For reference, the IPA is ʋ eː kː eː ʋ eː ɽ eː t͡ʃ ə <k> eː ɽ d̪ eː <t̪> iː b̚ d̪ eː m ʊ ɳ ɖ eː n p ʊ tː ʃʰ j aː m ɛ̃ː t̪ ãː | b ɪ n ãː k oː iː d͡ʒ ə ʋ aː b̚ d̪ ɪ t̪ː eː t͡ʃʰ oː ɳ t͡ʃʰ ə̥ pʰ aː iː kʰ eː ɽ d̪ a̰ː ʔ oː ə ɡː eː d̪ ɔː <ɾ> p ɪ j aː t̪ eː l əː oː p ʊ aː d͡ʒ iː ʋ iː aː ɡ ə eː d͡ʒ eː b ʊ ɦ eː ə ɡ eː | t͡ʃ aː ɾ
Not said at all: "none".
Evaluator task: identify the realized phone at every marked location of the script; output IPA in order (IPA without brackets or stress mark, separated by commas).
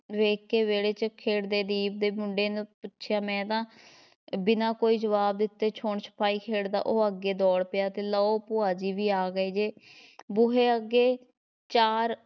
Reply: kʰ, d̪, ɽ